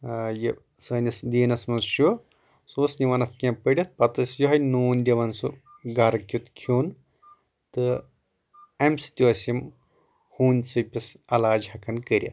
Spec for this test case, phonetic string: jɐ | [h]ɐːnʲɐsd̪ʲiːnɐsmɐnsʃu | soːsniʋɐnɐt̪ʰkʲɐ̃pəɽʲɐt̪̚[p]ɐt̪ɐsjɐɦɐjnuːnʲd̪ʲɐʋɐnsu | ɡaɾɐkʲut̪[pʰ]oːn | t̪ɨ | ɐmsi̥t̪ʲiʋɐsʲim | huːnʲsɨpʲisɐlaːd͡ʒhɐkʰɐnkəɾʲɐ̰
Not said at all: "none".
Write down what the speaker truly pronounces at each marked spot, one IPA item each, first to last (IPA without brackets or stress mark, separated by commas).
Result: s, p, kʰ